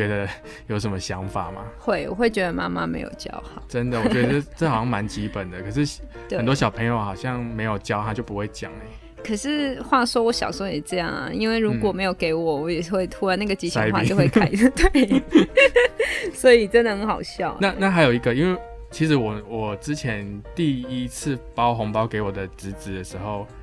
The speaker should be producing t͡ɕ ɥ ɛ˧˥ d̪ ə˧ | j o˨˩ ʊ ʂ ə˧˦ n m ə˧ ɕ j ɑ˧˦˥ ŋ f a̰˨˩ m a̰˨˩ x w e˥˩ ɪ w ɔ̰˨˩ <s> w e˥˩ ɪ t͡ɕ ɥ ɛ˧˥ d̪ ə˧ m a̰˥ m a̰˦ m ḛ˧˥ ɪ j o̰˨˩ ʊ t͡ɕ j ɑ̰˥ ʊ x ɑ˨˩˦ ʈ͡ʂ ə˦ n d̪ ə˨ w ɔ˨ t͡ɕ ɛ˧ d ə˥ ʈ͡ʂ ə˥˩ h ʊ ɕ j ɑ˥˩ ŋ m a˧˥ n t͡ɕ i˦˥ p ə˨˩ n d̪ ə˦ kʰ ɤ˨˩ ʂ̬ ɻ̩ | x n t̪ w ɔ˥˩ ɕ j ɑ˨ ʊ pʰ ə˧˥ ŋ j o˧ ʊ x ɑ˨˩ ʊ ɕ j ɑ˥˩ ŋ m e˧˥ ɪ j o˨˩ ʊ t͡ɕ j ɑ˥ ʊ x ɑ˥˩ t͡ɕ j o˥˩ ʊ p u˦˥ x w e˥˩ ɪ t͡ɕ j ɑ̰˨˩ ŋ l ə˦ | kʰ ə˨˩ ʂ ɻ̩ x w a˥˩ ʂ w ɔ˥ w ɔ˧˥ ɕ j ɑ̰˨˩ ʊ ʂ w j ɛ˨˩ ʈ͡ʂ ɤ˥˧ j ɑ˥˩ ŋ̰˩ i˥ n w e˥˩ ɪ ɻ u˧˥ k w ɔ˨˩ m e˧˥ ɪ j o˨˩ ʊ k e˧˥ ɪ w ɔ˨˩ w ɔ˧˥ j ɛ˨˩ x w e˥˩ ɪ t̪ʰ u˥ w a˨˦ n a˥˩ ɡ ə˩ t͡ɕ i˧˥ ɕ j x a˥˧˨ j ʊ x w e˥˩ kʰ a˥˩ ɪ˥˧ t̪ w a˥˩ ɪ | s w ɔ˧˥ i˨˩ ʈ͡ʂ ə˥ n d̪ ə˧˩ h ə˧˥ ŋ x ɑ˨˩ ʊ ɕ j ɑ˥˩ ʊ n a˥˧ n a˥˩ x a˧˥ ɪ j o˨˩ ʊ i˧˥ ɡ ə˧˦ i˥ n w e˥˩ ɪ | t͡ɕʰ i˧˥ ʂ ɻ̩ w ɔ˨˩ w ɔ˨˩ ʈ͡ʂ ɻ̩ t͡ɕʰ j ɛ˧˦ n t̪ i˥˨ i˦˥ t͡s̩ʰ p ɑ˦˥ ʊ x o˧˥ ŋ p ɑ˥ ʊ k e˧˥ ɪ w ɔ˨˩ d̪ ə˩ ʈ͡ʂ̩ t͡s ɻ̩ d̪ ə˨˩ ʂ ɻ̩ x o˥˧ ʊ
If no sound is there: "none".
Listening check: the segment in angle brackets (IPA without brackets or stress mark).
x